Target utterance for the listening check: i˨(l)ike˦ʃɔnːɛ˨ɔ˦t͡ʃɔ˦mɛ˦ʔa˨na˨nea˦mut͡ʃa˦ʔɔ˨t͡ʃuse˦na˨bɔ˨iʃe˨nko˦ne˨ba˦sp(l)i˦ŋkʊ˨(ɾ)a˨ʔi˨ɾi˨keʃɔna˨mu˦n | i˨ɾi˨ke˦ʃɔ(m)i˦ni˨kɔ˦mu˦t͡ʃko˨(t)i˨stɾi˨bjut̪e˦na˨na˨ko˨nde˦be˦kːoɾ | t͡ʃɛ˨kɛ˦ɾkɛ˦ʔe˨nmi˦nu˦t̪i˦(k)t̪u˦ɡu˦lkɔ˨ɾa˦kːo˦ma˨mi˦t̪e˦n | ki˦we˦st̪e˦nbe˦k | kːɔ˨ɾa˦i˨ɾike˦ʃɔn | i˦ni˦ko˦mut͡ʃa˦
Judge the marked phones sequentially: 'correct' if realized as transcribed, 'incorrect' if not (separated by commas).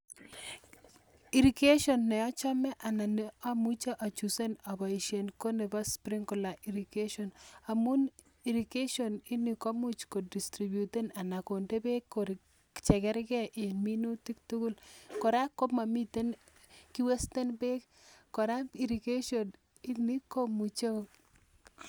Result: incorrect, incorrect, incorrect, incorrect, incorrect, correct